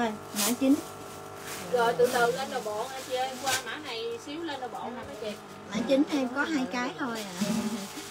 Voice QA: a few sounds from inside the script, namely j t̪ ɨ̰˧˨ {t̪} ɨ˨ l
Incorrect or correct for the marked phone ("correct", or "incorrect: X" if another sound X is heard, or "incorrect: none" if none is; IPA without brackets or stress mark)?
correct